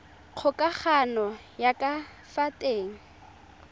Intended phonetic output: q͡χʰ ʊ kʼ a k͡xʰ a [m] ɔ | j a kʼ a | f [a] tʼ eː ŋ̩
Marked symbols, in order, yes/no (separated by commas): no, yes